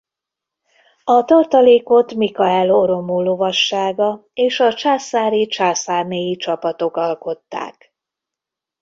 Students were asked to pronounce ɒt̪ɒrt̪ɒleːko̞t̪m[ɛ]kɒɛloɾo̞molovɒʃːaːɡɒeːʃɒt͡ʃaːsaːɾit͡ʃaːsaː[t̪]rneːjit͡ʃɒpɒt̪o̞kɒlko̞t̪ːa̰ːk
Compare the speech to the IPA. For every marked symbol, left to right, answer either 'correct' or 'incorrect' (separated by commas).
incorrect, incorrect